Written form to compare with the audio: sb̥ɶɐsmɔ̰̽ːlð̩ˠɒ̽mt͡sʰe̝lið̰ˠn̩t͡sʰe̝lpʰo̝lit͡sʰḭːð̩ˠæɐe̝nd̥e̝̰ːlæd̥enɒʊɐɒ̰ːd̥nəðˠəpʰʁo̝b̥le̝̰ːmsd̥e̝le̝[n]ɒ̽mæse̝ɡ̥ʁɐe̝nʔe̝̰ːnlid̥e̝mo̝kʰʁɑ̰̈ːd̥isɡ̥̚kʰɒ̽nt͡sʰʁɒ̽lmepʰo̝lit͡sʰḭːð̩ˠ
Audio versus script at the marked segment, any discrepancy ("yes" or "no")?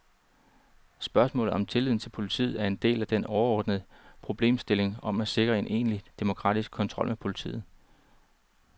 yes